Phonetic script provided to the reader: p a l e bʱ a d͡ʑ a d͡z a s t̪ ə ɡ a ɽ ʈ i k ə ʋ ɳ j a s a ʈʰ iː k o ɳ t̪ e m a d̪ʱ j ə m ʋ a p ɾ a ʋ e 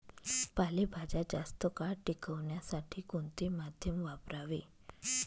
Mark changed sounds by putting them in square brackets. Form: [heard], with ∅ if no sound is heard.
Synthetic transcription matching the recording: p a l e bʱ a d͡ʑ a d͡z a s t̪ ə [k] a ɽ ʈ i k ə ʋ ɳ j a s a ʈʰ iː k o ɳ t̪ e m a d̪ʱ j ə m ʋ a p ɾ a ʋ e